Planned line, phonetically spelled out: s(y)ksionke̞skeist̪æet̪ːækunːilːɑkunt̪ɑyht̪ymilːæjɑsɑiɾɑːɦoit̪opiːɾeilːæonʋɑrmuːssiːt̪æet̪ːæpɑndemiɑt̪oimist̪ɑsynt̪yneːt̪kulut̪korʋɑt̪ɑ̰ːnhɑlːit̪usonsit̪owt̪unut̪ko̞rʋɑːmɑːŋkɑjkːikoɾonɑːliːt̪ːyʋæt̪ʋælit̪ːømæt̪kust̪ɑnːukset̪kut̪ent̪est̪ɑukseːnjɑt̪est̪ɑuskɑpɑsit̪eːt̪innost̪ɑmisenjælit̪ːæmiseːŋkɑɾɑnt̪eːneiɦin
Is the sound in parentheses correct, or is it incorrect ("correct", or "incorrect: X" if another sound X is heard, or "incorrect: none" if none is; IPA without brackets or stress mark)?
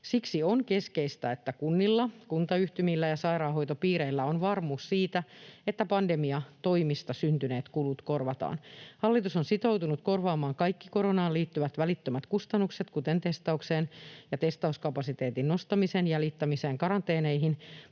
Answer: incorrect: i